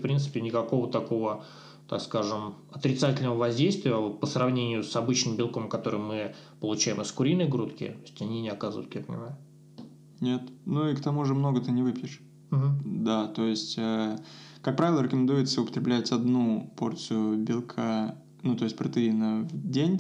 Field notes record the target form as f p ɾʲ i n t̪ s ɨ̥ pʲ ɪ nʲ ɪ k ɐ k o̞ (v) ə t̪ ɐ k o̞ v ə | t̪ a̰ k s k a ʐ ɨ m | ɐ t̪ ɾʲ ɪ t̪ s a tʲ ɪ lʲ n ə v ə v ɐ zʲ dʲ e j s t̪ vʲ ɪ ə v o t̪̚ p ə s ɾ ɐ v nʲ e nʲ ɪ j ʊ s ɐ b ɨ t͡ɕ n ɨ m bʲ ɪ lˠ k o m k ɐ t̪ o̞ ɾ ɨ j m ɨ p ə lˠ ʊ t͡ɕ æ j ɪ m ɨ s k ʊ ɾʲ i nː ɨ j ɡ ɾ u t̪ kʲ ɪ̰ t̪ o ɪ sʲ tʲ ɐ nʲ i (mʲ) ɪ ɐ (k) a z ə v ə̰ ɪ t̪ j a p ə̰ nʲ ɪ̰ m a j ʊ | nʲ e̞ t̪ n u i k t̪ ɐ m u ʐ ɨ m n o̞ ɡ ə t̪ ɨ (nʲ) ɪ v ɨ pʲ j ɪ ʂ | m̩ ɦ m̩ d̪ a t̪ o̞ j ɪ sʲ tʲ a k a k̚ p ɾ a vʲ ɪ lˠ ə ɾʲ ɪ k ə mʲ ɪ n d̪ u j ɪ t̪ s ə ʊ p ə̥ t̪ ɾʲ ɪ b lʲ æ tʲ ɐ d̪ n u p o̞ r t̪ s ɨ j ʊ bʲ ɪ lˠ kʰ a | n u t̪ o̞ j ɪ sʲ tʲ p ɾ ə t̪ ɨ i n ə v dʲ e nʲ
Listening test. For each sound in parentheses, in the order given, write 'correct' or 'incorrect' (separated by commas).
correct, incorrect, correct, correct